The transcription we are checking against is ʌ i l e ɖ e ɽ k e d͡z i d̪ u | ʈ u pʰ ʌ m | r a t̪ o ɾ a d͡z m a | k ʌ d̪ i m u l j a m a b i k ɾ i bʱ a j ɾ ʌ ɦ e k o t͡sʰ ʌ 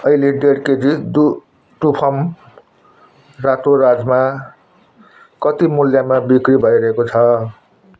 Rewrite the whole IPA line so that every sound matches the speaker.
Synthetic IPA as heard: ʌ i l e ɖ e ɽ k e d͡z i d̪ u | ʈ u pʰ ʌ m | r a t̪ o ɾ a d͡z m a | k ʌ t̪ i m u l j a m a b i k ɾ i bʱ ʌ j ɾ ʌ ɦ e k o t͡sʰ ʌ